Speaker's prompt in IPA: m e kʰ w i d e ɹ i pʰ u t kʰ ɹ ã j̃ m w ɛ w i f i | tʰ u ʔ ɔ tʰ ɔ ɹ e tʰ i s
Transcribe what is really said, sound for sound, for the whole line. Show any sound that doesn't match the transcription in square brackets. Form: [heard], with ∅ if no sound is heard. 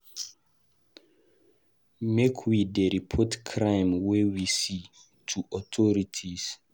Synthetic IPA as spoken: m e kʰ w i d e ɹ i pʰ [ɔ] t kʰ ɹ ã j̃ m w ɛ w i [s] i | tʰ u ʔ ɔ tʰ ɔ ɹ [i] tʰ i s